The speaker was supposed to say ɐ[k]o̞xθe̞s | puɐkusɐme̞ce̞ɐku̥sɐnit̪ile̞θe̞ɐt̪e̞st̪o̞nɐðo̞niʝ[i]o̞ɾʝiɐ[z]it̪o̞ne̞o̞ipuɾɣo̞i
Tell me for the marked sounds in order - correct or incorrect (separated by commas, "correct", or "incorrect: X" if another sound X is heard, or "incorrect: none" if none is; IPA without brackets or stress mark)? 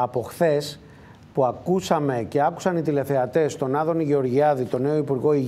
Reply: incorrect: p, incorrect: e, incorrect: ð